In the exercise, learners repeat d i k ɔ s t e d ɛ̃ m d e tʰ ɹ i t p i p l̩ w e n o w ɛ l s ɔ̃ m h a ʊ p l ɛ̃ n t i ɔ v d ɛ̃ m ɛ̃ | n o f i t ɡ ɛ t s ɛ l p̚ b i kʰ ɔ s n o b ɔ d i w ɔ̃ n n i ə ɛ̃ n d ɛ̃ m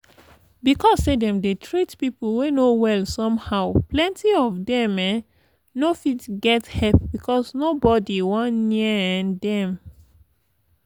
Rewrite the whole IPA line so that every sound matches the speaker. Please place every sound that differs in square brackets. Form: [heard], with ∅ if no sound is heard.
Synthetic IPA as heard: [b] i k ɔ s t e d ɛ̃ m d e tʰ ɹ i t p i p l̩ w e n o w ɛ l s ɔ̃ m h a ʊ p l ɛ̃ n t i ɔ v d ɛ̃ m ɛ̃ | n o f i t ɡ ɛ t [h] ɛ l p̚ b i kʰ ɔ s n o b ɔ d i w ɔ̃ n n i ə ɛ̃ n d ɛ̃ m